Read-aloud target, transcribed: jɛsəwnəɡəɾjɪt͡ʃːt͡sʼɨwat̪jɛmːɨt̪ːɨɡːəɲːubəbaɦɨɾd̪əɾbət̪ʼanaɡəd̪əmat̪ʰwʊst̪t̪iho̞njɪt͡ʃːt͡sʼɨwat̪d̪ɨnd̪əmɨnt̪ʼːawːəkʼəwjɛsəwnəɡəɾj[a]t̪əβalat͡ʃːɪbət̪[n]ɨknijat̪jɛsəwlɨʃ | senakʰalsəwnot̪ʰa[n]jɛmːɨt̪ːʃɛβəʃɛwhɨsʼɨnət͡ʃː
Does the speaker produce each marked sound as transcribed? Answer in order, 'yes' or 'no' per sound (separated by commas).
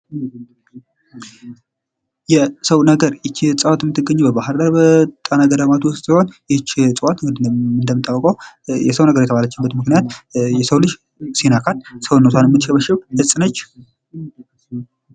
no, no, yes